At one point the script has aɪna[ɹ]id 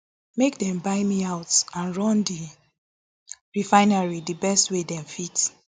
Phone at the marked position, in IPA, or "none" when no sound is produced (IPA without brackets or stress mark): ɹ